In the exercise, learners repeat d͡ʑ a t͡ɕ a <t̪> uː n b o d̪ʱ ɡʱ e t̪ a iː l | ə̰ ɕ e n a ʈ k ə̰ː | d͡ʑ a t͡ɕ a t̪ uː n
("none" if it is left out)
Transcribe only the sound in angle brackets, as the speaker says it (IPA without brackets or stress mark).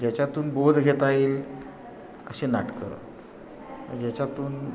t̪